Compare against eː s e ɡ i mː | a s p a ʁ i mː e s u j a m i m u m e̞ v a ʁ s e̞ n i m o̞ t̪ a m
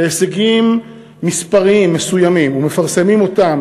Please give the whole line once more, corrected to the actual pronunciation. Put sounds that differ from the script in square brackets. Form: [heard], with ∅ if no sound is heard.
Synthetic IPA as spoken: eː s e ɡ i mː | [i] s p a ʁ i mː e s u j a m i m u m e̞ [f] a ʁ s e̞ [m] i m o̞ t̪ a m